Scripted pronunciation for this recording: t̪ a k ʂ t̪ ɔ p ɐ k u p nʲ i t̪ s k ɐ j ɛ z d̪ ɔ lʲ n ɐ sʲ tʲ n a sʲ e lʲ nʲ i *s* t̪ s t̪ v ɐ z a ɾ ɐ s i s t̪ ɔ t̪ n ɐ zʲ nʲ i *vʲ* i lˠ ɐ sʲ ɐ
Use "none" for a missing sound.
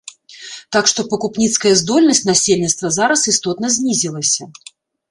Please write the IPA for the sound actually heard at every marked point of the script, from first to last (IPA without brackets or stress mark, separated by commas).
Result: none, zʲ